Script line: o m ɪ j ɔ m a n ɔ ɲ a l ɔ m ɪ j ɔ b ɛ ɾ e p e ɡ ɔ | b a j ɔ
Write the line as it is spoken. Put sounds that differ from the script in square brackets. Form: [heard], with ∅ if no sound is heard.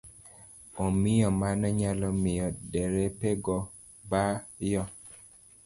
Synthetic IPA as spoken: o m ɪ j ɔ m a n ɔ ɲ a l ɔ m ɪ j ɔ [d] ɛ ɾ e p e ɡ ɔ | b a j ɔ